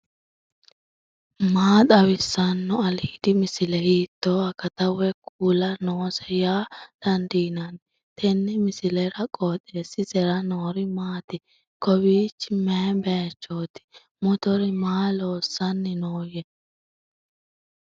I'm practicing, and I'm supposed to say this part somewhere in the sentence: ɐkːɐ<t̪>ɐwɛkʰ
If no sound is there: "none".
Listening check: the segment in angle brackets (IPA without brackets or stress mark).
t̪